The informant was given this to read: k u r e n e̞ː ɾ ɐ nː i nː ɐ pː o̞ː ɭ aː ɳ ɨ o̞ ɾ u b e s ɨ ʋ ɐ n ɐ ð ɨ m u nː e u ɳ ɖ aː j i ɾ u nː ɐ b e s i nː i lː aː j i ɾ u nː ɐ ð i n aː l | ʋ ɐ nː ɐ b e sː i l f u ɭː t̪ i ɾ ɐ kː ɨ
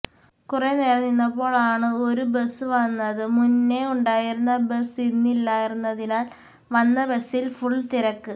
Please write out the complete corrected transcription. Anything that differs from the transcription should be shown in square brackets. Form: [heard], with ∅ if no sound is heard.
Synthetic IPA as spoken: k u r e n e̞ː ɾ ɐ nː i nː ɐ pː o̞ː ɭ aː ɳ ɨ o̞ ɾ u b e s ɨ ʋ ɐ [nː] ɐ ð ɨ m u nː e u ɳ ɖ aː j i ɾ u nː ɐ b e s i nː i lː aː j i ɾ u nː ɐ ð i n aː l | ʋ ɐ nː ɐ b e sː i l f u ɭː t̪ i ɾ ɐ kː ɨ